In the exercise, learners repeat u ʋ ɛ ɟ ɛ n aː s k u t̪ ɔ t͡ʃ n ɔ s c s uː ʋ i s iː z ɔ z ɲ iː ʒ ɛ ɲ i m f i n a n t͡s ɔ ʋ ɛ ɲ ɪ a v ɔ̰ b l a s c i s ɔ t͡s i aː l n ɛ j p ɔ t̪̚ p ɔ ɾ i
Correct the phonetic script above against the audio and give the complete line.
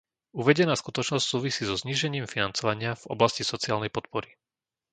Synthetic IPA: u ʋ ɛ ɟ ɛ n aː s k u t̪ ɔ t͡ʃ n ɔ s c s uː ʋ i s iː z ɔ z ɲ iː ʒ ɛ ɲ iː m f i n a n t͡s ɔ ʋ a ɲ ɪ a v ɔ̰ b l a s c i s ɔ t͡s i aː l n ɛ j p ɔ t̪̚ p ɔ ɾ i